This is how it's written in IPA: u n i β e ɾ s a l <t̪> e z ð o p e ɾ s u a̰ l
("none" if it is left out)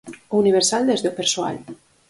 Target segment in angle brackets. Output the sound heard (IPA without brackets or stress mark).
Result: d̪